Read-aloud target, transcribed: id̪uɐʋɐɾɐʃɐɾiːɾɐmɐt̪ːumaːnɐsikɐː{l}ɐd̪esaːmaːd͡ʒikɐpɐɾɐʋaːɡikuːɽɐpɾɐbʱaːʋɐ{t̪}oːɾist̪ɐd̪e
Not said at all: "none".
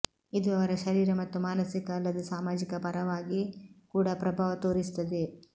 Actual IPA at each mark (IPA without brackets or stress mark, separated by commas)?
lː, t̪